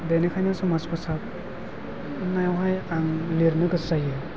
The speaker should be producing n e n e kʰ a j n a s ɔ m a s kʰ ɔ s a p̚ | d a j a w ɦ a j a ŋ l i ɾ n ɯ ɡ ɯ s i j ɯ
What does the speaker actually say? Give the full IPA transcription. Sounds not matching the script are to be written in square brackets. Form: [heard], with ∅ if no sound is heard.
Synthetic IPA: [d] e n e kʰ a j n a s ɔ m a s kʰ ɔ s a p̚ | [n] a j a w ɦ a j a ŋ l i ɾ n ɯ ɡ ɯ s [a] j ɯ